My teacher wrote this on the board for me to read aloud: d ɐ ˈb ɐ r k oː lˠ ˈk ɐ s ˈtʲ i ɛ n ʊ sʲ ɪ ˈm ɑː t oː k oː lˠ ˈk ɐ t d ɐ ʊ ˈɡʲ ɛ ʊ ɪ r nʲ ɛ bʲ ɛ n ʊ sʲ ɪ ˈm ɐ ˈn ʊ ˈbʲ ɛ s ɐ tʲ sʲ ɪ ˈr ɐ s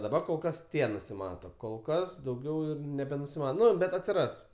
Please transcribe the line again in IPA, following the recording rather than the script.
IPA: d ɐ ˈb ɐ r k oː lˠ ˈk ɐ s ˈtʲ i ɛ n ʊ sʲ ɪ ˈm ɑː t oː k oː lˠ ˈk ɐ s d ɐ ʊ ˈɡʲ ɛ ʊ ɪ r nʲ ɛ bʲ ɛ n ʊ sʲ ɪ ˈm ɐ ˈn ʊ ˈbʲ ɛ t ɐ tʲ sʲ ɪ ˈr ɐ s